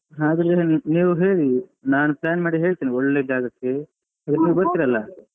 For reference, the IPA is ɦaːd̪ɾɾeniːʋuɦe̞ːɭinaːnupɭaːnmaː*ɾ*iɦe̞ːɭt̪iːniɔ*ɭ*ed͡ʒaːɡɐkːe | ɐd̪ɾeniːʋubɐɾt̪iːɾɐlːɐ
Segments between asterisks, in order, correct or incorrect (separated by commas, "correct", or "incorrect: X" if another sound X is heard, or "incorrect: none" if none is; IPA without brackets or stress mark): incorrect: ɽ, incorrect: ɭː